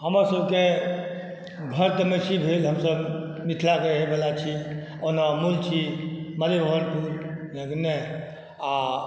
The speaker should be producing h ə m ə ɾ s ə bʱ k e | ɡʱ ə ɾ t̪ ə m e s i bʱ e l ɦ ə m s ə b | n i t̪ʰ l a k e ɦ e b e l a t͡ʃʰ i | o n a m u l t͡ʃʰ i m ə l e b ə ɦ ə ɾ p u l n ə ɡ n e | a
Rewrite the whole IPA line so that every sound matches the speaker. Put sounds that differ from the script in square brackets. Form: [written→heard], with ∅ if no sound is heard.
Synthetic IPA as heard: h ə m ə ɾ s ə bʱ k e | ɡʱ ə ɾ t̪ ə m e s i bʱ e l ɦ ə m s ə b | [n→m] i t̪ʰ l a k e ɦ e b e l a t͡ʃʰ i | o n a m u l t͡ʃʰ i m ə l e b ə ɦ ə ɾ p u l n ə ɡ n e | a